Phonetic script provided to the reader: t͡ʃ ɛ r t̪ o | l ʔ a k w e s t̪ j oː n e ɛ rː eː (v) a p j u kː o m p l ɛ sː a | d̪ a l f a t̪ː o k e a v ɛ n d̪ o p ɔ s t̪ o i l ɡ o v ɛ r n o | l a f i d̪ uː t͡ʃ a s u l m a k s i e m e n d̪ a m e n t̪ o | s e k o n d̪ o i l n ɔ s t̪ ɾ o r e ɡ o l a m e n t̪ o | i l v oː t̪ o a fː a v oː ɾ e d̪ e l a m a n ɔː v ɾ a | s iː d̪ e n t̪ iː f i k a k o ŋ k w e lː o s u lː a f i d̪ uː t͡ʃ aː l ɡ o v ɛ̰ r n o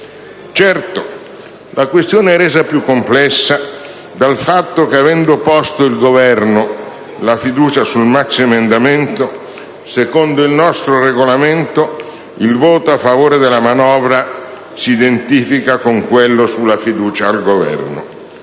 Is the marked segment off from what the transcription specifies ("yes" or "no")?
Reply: yes